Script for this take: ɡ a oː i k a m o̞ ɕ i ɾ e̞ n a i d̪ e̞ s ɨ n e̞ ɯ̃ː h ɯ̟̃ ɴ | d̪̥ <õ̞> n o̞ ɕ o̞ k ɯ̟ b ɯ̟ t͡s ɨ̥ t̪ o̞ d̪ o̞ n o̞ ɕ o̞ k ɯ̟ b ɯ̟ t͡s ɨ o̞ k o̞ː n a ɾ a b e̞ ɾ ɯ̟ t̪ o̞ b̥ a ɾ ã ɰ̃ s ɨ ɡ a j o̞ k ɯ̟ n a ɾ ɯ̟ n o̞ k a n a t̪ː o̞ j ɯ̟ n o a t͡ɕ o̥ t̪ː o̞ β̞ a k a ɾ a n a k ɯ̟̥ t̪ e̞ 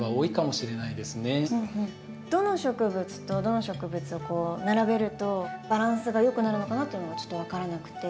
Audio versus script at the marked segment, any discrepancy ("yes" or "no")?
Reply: yes